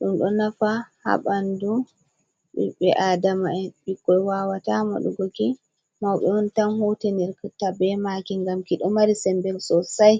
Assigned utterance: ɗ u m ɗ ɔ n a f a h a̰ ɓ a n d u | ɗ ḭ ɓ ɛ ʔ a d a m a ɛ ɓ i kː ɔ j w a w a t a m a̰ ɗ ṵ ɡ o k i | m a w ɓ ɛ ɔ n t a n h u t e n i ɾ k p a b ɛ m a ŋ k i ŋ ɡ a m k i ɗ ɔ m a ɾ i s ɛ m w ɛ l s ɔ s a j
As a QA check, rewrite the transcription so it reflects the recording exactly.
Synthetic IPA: ɗ u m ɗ ɔ n a f a h a̰ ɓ a n d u | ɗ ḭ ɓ ɛ ʔ a d a m a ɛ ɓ i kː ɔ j w a w a t a m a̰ ɗ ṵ ɡ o k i | m a w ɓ ɛ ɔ n t a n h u t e n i ɾ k t a b ɛ m a k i ŋ ɡ a m k i ɗ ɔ m a ɾ i s ɛ m b ɛ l s ɔ s a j